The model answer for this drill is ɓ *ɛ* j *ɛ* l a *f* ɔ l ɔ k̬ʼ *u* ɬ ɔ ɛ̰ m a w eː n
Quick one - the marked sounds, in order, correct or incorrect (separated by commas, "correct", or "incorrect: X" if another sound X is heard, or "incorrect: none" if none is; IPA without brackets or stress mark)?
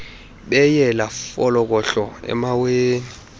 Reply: correct, correct, correct, incorrect: ɔ